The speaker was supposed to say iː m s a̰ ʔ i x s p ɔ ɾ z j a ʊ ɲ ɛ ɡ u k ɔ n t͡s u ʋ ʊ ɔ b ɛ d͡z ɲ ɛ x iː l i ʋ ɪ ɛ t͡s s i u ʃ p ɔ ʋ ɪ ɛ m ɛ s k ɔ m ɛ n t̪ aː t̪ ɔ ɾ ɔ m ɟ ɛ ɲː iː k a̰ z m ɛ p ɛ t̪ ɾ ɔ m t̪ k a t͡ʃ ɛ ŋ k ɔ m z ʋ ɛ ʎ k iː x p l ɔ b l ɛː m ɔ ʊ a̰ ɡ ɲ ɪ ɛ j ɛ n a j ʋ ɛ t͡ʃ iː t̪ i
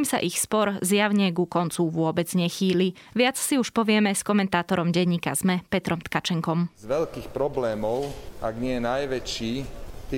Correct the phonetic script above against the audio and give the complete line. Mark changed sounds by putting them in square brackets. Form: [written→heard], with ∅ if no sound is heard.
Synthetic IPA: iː m s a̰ ʔ i x s p ɔ ɾ z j a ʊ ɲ ɛ ɡ u k ɔ n t͡s u ʋ ʊ ɔ b ɛ d͡z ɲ ɛ x iː l i ʋ ɪ [ɛ→a] t͡s s i u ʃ p ɔ ʋ ɪ ɛ m ɛ s k ɔ m ɛ n t̪ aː t̪ ɔ ɾ ɔ m ɟ ɛ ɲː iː k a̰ z m ɛ p ɛ t̪ ɾ ɔ m t̪ k a t͡ʃ ɛ ŋ k ɔ m z ʋ ɛ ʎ k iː x p [l→ɾ] ɔ b l ɛː m ɔ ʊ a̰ ɡ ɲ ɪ ɛ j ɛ n a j ʋ ɛ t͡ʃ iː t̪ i